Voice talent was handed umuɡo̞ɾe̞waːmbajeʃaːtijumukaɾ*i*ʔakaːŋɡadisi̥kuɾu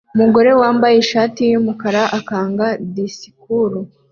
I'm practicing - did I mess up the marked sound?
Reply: yes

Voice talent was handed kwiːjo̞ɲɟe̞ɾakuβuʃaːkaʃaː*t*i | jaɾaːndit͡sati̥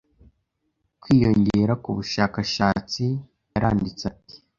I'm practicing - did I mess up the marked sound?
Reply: yes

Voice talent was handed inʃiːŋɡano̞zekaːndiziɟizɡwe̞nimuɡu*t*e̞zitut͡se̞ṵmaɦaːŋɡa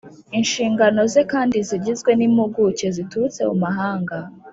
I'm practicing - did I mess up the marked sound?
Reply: yes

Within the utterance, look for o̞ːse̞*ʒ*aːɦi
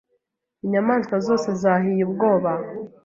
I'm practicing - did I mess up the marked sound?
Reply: yes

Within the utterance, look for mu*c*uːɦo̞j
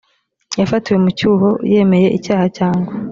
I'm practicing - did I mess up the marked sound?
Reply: no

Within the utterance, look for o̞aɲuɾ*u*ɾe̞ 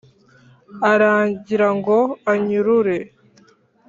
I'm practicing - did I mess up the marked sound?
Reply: no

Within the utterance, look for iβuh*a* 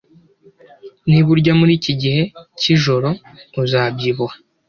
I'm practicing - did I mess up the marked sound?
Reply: no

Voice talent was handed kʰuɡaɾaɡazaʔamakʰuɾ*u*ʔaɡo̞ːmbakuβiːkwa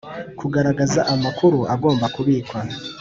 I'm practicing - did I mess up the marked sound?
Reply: no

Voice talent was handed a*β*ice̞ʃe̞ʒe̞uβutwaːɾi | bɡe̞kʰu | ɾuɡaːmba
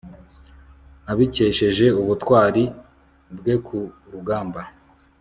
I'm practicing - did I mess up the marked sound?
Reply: no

